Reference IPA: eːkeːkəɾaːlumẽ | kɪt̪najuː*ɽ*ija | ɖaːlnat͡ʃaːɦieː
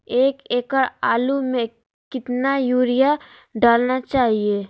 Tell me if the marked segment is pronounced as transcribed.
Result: no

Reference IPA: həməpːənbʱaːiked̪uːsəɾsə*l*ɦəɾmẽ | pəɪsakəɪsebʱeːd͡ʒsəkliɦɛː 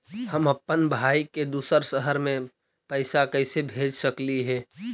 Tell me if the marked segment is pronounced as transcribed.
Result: no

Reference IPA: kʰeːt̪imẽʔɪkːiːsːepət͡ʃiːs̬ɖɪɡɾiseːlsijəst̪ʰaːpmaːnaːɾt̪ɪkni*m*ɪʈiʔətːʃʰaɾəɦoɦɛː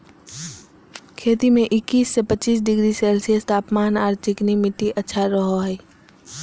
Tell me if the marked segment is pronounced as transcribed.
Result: yes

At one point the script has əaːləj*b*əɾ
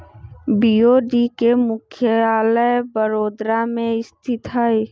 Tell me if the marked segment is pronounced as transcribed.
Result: yes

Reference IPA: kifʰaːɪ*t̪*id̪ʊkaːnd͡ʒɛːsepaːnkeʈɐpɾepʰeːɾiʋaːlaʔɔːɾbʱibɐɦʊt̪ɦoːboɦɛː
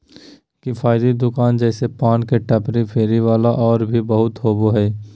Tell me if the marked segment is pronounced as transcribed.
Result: no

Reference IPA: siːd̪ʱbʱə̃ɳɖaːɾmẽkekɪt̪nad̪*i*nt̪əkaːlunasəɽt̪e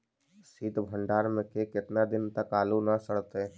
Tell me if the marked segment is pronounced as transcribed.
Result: no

